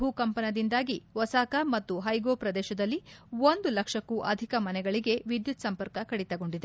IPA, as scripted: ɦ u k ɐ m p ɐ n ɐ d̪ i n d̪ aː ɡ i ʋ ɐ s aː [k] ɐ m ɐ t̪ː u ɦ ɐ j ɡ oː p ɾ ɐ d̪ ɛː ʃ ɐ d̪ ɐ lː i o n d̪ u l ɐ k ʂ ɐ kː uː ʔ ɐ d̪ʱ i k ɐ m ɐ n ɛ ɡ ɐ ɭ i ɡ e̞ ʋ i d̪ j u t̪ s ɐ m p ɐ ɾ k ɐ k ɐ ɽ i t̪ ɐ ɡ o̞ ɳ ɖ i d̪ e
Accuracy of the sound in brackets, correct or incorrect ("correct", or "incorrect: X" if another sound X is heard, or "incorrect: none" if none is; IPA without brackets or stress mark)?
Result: correct